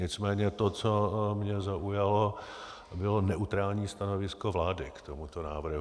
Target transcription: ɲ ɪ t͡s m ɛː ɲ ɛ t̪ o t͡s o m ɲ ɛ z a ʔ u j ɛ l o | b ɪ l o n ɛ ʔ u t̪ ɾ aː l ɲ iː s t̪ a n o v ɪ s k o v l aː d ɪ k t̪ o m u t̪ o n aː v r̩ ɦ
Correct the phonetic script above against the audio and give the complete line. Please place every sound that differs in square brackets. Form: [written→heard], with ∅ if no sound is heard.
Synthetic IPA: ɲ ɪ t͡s m ɛː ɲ ɛ t̪ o t͡s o m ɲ ɛ z a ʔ u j [ɛ→a] l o | b ɪ l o n ɛ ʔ u t̪ ɾ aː l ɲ iː s t̪ a n o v ɪ s k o v l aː d ɪ k t̪ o m u t̪ o n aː v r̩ ɦ